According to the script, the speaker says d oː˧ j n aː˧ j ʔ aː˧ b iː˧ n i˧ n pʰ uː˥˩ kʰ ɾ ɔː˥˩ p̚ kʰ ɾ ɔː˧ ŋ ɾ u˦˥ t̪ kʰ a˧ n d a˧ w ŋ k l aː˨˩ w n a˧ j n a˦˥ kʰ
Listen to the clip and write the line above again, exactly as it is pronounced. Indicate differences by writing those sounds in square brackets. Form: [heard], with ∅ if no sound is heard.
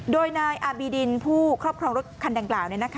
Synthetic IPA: d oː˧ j n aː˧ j ʔ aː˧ b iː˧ [d] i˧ n pʰ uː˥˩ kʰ ɾ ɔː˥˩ p̚ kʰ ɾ ɔː˧ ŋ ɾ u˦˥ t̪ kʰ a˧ n d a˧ [∅] ŋ k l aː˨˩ w n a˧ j n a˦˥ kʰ